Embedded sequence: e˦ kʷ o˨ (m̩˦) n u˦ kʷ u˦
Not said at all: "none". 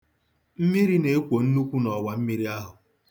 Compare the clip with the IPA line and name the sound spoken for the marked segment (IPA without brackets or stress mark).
n̩˦